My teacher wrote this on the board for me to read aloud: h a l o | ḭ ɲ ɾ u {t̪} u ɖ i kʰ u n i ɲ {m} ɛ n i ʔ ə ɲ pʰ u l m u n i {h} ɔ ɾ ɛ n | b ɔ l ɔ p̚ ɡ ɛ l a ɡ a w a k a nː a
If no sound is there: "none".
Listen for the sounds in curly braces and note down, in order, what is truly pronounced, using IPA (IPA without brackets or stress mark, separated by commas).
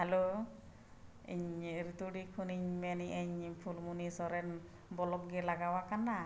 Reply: t̪, m, s